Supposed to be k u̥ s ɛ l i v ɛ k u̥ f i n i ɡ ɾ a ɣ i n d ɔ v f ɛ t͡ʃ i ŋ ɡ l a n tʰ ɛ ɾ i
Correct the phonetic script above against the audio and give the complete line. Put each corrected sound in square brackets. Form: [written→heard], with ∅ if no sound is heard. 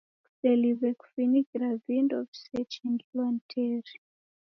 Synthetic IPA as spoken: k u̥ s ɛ l i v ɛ k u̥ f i n i ɡ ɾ a [ɣ→v] i n d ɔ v [f→s] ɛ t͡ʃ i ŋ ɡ l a n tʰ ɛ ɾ i